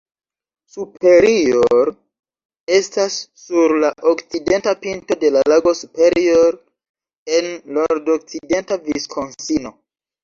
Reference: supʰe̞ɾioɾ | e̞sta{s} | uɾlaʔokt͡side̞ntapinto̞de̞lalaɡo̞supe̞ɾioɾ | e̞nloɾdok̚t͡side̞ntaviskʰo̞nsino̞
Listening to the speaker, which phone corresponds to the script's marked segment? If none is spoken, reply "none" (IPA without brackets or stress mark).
sː